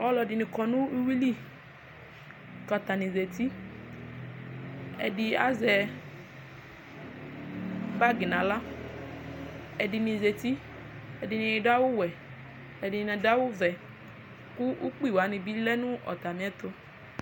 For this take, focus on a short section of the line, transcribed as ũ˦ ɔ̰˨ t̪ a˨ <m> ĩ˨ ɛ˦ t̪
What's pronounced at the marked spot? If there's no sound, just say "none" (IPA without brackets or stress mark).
m